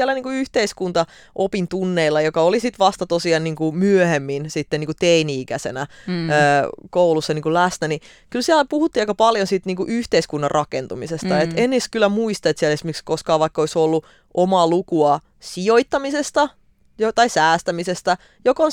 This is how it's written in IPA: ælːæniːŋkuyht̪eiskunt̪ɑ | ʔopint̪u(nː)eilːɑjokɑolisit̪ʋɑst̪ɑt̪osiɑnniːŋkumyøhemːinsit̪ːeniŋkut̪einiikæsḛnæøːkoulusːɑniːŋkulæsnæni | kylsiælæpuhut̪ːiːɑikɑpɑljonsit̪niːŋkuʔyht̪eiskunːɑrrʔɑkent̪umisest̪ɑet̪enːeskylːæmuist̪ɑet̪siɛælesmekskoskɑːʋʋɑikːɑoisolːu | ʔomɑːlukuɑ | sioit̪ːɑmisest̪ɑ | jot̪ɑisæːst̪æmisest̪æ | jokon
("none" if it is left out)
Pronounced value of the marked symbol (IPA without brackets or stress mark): nː